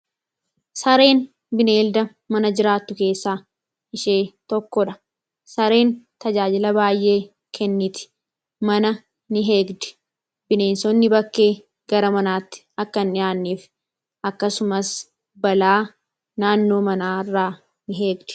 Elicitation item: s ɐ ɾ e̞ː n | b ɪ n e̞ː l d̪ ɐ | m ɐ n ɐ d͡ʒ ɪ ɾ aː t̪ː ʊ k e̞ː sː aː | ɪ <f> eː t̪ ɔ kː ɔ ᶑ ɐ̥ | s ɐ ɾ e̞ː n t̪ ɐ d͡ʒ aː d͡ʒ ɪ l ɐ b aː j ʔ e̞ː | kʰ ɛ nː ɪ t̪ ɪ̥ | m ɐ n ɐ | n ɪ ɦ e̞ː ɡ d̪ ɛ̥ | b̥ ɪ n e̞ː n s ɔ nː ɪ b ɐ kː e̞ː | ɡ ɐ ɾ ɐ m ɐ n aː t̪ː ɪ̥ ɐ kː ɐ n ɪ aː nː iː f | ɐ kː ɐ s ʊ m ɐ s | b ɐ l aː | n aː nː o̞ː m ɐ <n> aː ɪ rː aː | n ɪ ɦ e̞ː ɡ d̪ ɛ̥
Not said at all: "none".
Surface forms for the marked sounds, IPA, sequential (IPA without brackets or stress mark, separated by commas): ʃ, n